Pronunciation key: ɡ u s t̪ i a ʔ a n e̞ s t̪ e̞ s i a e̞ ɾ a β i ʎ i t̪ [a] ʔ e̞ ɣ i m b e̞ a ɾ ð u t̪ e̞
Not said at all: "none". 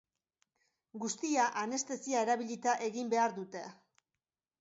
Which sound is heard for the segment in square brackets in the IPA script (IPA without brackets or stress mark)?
a